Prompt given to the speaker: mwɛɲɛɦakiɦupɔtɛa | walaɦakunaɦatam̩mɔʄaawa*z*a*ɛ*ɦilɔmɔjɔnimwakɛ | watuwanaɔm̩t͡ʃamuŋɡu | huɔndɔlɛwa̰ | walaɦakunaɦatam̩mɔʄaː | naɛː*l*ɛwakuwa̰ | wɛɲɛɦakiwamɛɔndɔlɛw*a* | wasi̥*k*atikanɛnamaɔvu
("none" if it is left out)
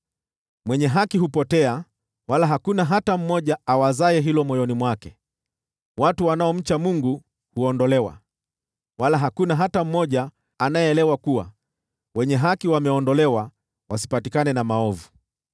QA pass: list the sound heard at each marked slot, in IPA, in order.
z, ɛ, l, a, p

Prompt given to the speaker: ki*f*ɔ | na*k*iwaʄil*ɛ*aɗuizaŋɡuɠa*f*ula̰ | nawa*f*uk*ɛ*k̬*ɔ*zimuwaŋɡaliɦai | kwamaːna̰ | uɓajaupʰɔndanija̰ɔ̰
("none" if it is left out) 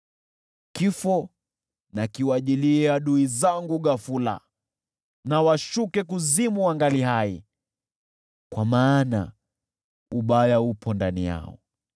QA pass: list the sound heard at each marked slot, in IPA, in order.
f, k, i, f, ʃ, ɛ, u

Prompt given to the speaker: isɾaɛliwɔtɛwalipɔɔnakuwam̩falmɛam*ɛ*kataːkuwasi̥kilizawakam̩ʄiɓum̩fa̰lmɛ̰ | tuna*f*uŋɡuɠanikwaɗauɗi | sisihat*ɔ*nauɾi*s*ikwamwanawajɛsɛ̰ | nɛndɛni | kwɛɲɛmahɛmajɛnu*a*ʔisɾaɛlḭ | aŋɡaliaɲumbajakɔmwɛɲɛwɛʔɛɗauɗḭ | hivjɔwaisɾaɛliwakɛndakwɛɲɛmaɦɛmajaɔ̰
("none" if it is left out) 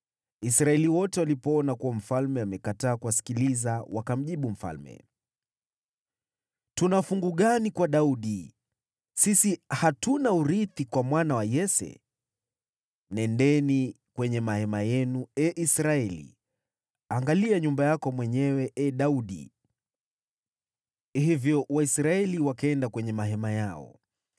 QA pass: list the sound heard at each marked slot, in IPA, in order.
ɛ, f, u, θ, ɛ

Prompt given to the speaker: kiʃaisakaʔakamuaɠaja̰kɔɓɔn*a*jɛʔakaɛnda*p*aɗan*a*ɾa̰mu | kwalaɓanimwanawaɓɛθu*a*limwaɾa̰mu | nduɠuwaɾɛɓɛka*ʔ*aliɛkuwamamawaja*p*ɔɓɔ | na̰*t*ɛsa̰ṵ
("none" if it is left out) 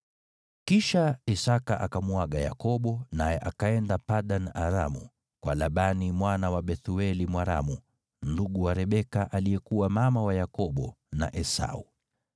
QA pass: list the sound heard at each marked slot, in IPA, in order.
a, p, a, ɛ, ʔ, k, ʔ

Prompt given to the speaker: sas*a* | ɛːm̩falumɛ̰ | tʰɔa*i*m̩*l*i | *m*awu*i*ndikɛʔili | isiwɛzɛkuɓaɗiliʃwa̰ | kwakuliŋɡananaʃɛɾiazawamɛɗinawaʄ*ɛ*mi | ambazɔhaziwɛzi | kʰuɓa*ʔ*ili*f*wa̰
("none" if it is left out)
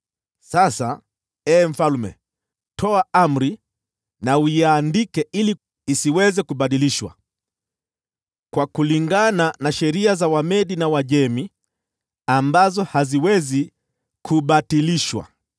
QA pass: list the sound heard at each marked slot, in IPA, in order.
a, a, ɾ, n, a, ɛ, t, ʃ

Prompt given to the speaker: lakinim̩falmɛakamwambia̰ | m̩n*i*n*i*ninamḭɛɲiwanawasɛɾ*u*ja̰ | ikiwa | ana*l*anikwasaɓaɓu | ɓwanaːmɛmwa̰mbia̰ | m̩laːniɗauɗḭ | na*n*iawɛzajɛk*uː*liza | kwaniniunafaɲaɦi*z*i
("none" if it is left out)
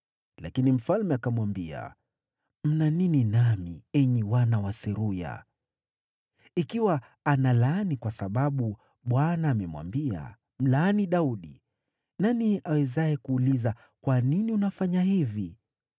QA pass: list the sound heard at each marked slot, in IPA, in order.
a, i, u, l, n, uː, v

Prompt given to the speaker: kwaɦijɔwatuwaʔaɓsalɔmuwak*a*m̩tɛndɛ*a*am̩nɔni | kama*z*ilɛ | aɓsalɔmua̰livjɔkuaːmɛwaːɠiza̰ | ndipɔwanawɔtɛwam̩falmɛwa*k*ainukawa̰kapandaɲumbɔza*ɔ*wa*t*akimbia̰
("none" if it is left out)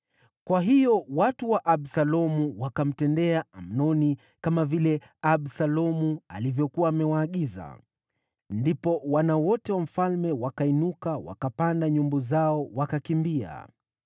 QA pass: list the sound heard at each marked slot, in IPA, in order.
a, a, v, k, ɔ, k

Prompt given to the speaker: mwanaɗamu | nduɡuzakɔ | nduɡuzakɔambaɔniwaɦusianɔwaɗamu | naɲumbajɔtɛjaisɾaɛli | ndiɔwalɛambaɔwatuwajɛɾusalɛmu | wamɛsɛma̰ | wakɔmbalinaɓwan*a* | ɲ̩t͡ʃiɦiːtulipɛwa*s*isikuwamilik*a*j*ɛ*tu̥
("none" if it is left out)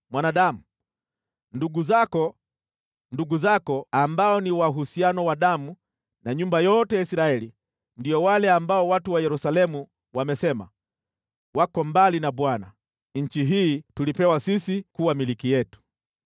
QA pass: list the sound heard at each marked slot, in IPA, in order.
a, s, i, ɛ

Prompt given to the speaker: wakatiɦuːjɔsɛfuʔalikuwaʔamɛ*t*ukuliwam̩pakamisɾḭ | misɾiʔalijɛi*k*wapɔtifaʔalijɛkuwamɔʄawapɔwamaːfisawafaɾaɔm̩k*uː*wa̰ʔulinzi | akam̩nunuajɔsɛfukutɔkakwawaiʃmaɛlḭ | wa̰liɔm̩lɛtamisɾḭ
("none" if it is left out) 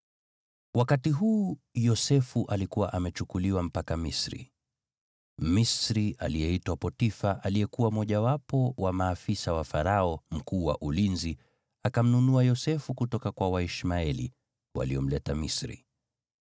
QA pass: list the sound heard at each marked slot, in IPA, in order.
t͡ʃ, t, uː

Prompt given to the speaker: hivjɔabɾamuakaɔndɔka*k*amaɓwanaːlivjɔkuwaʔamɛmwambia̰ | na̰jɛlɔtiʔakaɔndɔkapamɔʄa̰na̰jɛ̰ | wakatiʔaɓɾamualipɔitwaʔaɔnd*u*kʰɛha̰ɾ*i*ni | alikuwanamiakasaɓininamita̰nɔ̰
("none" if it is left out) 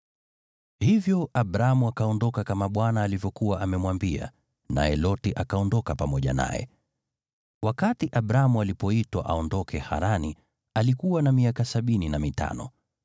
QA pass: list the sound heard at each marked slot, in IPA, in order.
k, ɔ, a

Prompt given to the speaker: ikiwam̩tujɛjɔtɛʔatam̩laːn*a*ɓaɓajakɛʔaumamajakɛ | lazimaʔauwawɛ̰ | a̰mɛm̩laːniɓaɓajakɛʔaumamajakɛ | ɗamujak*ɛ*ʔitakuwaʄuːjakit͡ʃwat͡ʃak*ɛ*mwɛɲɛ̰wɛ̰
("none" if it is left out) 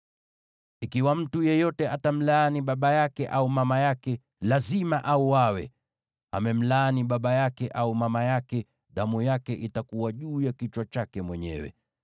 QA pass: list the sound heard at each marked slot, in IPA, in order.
i, ɛ, ɛ

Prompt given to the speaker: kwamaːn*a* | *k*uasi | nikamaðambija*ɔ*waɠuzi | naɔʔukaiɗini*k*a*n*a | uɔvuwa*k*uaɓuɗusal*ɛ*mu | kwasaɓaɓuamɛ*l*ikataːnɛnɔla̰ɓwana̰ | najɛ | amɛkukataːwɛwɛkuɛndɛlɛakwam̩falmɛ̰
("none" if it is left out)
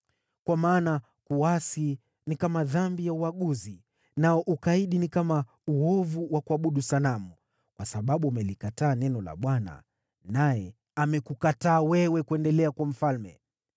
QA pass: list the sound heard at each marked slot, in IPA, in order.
a, k, u, k, m, k, a, l

